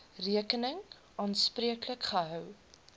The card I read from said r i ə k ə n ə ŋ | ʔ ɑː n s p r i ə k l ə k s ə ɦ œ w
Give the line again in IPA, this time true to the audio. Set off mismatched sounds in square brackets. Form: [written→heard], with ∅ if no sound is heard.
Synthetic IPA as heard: r i ə k ə n ə ŋ | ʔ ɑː n s p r i ə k l ə k [s→χ] ə ɦ œ w